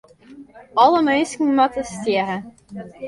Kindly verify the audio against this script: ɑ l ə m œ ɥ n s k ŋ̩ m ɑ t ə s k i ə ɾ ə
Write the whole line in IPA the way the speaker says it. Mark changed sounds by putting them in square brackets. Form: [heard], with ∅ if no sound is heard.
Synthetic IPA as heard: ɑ l ə m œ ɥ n s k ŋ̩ m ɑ t ə s [t] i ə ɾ ə